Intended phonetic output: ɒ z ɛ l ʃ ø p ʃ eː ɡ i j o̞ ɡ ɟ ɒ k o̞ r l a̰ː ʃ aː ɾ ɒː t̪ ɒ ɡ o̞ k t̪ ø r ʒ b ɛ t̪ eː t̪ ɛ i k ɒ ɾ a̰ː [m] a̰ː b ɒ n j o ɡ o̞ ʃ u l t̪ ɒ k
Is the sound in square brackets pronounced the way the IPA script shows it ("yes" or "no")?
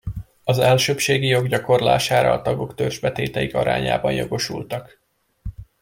no